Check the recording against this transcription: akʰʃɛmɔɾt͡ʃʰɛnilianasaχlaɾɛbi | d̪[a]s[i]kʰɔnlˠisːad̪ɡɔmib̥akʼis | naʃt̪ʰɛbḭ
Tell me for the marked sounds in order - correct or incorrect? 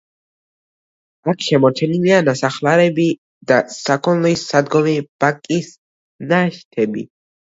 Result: correct, incorrect

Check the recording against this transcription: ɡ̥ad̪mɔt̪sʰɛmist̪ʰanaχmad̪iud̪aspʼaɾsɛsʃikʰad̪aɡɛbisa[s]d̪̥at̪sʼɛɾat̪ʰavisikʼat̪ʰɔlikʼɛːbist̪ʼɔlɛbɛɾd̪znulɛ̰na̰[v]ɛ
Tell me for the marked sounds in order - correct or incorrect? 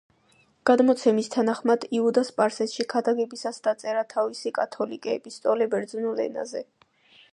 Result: correct, incorrect

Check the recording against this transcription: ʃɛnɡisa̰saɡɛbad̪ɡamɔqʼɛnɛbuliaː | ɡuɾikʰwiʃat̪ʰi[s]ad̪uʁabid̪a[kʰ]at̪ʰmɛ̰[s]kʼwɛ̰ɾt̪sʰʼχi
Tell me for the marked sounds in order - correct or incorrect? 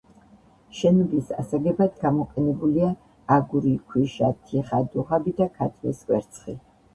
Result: incorrect, correct, correct

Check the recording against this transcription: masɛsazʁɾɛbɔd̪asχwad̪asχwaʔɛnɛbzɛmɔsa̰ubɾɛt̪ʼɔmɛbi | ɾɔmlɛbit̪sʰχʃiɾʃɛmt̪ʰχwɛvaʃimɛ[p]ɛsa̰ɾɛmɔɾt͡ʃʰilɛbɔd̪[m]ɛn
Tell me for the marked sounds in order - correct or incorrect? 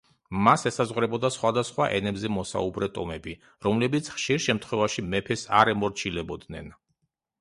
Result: incorrect, incorrect

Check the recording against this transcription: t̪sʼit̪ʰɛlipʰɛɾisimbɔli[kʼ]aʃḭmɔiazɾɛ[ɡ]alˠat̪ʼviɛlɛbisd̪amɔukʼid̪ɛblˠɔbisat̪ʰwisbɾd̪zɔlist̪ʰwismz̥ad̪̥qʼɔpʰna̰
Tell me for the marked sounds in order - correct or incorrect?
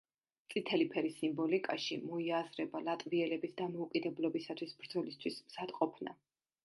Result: correct, incorrect

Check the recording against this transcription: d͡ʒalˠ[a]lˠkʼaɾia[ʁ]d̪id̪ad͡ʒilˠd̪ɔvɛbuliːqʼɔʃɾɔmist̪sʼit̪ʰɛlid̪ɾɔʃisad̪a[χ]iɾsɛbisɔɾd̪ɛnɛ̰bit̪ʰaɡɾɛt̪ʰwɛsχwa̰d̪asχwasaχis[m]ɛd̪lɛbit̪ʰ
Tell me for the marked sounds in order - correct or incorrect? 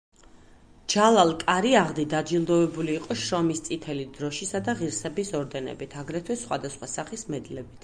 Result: correct, correct, incorrect, correct

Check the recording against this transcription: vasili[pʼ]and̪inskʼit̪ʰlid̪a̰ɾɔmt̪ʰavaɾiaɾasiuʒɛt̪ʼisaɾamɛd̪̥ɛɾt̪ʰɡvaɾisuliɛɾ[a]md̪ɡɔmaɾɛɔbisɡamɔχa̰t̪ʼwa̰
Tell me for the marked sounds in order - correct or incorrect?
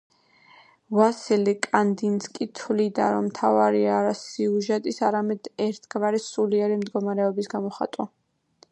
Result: incorrect, incorrect

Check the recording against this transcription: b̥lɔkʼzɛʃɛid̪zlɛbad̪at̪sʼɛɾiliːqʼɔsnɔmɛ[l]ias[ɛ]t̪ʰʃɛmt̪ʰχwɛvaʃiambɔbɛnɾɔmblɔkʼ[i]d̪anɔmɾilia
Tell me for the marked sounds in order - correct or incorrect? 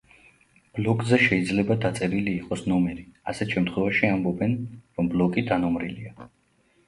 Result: incorrect, correct, correct

